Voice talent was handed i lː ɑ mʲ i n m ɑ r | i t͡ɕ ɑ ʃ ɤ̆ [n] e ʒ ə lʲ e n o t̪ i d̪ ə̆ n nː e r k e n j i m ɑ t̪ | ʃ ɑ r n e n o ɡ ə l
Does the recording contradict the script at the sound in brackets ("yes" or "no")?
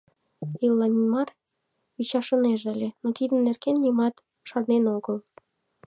no